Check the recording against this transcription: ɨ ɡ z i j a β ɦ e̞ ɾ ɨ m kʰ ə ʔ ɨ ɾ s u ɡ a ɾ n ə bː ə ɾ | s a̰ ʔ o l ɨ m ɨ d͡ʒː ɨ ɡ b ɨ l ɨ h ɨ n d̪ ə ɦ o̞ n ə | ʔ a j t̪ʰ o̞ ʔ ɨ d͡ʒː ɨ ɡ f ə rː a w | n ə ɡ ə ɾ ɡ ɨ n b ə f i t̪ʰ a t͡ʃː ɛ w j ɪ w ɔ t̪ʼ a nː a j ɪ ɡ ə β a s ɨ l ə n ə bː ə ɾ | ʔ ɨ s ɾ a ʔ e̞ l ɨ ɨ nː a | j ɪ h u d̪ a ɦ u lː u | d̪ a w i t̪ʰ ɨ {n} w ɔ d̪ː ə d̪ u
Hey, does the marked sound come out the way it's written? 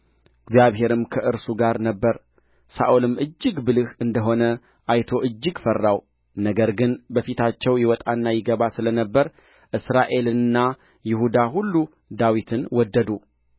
yes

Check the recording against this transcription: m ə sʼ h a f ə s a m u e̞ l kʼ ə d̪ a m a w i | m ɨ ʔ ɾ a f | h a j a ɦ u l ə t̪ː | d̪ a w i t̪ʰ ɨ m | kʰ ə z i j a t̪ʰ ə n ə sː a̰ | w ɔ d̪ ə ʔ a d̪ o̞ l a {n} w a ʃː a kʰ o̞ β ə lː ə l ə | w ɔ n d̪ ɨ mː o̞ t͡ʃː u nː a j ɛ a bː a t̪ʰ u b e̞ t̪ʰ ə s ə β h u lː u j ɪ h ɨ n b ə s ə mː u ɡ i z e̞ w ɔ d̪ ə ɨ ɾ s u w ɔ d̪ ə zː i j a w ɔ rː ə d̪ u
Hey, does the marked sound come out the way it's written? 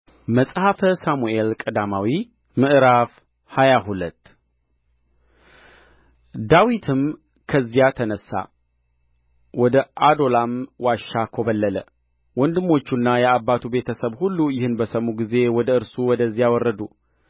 no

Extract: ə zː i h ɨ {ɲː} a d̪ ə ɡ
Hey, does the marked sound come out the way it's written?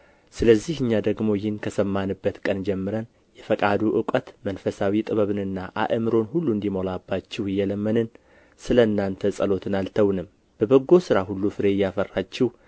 yes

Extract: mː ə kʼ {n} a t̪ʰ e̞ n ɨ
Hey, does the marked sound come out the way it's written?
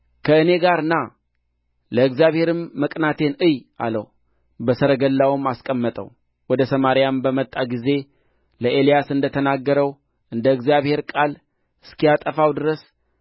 yes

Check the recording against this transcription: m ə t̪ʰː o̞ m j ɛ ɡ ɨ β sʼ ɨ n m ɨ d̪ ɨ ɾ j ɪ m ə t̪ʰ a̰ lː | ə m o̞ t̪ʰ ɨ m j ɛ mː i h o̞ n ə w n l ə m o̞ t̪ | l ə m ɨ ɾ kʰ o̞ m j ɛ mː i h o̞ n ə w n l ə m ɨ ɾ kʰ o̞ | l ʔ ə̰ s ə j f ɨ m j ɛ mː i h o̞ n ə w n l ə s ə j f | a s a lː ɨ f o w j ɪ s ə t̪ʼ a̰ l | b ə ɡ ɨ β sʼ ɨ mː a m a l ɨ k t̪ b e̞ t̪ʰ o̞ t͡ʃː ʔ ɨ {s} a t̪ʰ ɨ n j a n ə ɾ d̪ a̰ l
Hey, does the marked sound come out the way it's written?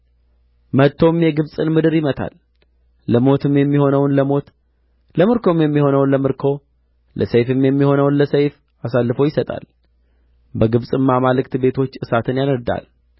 yes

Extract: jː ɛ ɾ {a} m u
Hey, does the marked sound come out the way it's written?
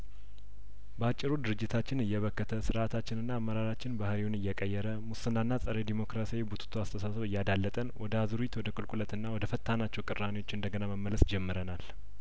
no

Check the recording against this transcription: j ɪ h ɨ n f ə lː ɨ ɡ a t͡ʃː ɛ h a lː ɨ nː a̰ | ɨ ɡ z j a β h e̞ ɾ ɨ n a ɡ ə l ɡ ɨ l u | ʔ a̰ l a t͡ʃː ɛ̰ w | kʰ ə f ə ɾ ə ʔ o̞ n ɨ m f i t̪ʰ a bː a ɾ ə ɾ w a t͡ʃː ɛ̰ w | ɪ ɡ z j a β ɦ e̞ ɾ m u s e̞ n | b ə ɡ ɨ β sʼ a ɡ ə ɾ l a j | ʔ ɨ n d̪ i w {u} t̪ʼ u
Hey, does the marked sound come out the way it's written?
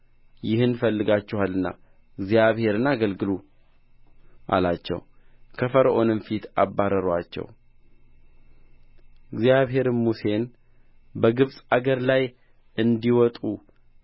no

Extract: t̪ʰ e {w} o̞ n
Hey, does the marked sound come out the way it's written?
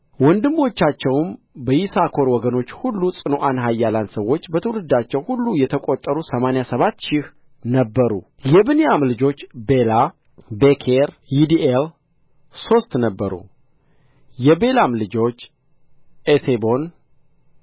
no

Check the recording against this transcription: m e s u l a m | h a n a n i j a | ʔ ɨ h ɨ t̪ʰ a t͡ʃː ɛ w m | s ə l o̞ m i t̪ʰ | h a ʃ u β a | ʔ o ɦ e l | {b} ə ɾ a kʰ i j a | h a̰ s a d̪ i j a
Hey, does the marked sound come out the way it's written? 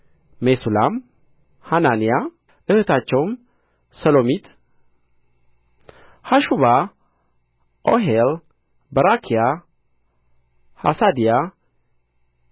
yes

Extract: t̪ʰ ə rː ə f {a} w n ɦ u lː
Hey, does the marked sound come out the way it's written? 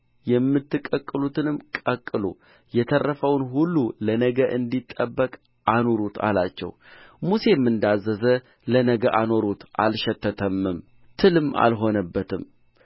no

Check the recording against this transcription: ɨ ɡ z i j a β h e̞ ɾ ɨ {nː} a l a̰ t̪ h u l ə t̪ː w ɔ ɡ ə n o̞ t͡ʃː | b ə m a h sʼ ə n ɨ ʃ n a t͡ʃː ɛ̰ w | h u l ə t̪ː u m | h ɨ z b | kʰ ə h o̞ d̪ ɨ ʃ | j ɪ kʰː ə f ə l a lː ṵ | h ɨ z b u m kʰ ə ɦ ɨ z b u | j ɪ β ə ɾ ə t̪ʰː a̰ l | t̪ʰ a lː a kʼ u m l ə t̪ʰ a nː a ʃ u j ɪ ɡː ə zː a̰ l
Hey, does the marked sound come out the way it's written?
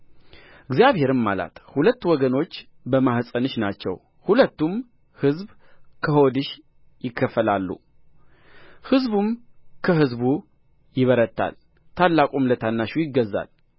no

